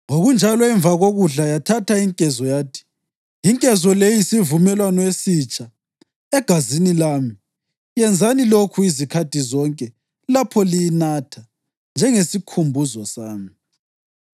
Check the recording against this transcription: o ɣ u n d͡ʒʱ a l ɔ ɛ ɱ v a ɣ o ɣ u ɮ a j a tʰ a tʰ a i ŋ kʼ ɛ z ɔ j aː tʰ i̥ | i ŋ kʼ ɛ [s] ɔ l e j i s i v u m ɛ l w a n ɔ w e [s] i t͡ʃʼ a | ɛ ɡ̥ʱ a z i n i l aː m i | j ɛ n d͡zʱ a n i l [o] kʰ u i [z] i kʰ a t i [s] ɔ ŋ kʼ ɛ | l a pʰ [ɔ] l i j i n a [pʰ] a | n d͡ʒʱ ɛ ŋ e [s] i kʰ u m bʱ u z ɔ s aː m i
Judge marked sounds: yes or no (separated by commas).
no, yes, yes, yes, no, yes, no, yes